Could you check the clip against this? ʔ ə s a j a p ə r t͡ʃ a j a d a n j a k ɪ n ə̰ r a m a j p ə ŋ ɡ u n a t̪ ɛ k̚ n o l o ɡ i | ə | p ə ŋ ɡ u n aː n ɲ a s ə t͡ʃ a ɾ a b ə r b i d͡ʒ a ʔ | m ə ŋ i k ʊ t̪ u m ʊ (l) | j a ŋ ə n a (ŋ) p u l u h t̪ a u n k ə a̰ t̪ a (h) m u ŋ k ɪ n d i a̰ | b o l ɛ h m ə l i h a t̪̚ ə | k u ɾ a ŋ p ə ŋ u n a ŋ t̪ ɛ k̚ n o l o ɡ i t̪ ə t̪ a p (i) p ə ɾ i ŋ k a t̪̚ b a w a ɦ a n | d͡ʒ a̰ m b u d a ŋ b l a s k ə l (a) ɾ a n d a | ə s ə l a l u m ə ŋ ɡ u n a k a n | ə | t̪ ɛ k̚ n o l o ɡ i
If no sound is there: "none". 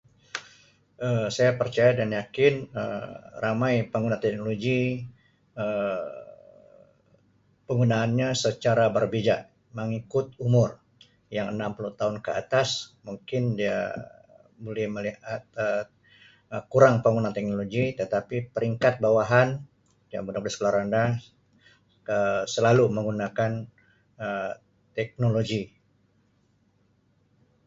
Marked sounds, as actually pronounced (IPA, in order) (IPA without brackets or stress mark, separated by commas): r, m, s, i, a